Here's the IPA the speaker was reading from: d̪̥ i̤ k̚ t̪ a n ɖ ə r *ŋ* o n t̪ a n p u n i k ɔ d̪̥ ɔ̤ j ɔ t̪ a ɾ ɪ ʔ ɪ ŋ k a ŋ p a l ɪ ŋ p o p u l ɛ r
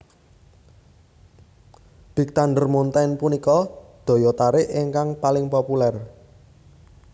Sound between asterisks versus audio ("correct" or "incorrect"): incorrect